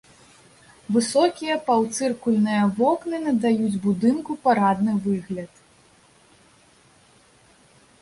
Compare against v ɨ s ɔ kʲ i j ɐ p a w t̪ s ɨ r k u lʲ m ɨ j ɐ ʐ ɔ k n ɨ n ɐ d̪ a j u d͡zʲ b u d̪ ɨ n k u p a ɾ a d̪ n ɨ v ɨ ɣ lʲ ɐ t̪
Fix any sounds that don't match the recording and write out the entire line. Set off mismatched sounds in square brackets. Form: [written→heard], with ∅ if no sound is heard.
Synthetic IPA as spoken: v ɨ s ɔ kʲ i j ɐ p a w t̪ s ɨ r k u lʲ [m→n] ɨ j ɐ [ʐ→v] ɔ k n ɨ n ɐ d̪ a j u d͡zʲ b u d̪ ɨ n k u p a ɾ a d̪ n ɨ v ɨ ɣ lʲ ɐ t̪